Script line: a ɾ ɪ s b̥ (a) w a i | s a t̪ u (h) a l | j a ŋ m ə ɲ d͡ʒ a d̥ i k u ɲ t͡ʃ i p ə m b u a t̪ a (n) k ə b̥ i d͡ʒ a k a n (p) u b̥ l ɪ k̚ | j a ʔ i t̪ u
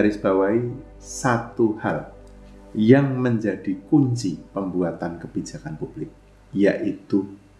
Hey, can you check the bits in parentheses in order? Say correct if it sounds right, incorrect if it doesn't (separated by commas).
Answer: correct, correct, correct, correct